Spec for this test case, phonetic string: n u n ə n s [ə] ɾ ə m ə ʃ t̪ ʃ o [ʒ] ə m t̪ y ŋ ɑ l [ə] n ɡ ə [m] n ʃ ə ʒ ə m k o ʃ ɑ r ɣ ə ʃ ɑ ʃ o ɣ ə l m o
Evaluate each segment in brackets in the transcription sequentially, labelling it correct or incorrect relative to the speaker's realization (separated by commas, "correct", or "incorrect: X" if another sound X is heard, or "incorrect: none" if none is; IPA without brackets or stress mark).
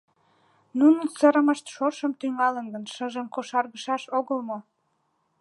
correct, incorrect: ʃ, correct, incorrect: none